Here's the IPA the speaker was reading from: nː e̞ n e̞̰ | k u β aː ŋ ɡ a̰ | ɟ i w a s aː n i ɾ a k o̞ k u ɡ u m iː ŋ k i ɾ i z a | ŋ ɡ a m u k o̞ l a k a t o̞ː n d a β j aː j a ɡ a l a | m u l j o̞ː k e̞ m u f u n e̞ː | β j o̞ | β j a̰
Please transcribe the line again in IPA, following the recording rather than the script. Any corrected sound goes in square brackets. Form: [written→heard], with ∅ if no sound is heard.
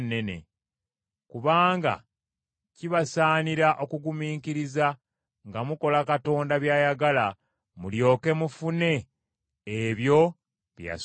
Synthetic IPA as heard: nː e̞ n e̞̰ | k u β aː ŋ ɡ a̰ | [ɟ→c] i [w→β] a s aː n i ɾ a [k→ʔ] o̞ k u ɡ u m iː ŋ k i ɾ i z a | ŋ ɡ a m u k o̞ l a k a t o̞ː n d a β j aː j a ɡ a l a | m u l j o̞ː k e̞ m u f u n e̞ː | β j o̞ | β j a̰